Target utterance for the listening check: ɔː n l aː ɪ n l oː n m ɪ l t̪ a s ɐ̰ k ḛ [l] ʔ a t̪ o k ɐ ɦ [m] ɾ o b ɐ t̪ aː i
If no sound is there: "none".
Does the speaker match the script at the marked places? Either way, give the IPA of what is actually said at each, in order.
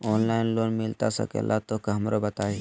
l, m

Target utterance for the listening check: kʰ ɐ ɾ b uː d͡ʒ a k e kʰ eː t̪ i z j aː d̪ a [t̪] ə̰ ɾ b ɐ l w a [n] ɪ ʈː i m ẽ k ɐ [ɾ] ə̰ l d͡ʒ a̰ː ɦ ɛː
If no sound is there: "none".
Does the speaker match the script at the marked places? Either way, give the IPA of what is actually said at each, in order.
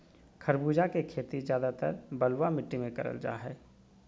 t̪, m, ɾ

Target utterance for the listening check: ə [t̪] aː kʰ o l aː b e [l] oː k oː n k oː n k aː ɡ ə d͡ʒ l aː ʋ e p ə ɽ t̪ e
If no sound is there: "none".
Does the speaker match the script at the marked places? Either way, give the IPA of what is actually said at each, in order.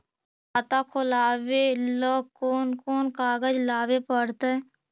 t̪, l

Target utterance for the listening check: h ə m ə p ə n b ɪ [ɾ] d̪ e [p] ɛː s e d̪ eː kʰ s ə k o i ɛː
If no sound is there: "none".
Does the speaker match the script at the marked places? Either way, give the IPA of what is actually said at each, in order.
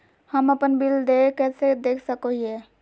l, k

